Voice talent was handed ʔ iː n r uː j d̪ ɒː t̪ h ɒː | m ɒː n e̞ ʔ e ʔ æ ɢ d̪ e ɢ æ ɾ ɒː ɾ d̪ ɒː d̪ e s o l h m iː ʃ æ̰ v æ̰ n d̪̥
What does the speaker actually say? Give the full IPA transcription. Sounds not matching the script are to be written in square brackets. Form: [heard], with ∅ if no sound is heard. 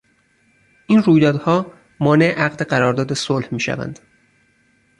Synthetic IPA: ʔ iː n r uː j d̪ ɒː [d̪] h ɒː | m ɒː n e̞ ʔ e ʔ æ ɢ d̪ e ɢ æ ɾ ɒː ɾ d̪ ɒː d̪ e s o l h m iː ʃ æ̰ v æ̰ n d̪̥